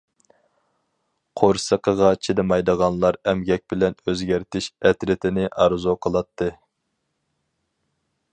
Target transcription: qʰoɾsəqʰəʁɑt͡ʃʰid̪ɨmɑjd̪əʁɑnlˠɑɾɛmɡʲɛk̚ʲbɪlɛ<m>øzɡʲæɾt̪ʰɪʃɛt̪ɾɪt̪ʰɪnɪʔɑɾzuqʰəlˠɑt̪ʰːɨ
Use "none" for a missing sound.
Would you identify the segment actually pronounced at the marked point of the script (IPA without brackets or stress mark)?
n